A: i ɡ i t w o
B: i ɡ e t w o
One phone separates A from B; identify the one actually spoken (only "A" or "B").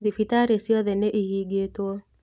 B